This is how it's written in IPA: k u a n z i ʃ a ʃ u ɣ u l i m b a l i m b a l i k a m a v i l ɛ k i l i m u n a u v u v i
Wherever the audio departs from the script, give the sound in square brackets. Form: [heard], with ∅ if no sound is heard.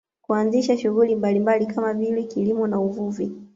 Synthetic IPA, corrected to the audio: k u a n z i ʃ a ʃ u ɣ u l i m b a l i m b a l i k a m a v i l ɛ k i l i m [ɔ] n a u v u v i